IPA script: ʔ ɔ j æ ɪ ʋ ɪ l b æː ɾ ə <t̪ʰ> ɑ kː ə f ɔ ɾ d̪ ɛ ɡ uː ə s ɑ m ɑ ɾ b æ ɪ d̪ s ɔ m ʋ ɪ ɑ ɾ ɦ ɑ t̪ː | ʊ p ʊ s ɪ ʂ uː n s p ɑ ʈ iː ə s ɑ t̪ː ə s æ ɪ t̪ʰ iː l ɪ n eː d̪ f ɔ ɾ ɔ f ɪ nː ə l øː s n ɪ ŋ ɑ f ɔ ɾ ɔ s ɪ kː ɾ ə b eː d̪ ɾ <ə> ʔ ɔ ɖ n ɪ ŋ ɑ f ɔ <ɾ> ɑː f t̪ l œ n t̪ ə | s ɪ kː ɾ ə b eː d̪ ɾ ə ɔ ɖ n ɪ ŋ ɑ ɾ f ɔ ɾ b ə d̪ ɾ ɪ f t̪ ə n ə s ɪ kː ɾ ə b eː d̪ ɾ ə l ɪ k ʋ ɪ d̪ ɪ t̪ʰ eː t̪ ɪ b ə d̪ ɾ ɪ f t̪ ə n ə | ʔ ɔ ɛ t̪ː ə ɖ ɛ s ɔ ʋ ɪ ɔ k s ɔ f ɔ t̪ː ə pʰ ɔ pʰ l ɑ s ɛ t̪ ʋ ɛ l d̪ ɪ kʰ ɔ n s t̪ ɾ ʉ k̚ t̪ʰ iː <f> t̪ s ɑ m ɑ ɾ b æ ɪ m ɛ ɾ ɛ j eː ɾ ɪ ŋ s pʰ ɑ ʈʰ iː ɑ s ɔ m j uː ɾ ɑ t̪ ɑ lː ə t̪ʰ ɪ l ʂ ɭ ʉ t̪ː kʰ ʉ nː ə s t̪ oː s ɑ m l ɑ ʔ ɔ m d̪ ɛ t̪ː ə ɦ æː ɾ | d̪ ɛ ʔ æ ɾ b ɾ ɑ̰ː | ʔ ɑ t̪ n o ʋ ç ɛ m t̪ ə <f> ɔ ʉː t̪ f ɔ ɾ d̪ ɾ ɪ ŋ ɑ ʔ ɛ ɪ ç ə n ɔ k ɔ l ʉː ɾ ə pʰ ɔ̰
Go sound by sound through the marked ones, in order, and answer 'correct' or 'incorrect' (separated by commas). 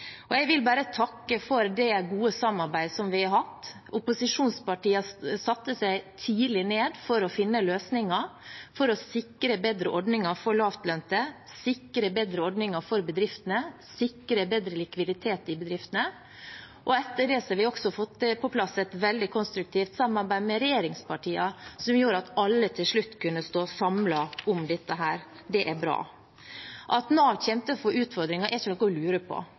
correct, correct, incorrect, correct, correct